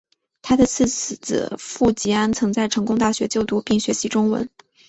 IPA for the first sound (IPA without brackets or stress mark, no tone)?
t̪ʰ